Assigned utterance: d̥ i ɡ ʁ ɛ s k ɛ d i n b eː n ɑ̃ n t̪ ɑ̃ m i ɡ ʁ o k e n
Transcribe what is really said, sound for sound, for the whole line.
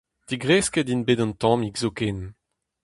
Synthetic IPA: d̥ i ɡ ʁ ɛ s k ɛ d i n b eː d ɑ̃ n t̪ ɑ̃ m i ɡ z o k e n